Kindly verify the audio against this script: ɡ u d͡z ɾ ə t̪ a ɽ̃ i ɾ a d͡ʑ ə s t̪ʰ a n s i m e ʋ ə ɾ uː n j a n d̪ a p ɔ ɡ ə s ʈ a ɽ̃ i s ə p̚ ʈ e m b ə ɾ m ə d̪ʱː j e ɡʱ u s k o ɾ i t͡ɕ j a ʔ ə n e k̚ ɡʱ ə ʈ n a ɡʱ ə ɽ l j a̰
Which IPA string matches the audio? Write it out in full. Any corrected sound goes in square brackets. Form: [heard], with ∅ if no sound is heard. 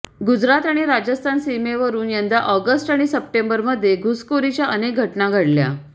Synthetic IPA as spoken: ɡ u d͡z ɾ [a] t̪ a ɽ̃ i ɾ a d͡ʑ ə s t̪ʰ a n s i m e ʋ ə ɾ uː n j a n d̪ a [ʔ] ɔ ɡ ə s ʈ a ɽ̃ i s ə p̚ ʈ e m b ə ɾ m ə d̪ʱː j e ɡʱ u s k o ɾ i t͡ɕ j a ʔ ə n e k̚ ɡʱ ə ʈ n a ɡʱ ə ɽ l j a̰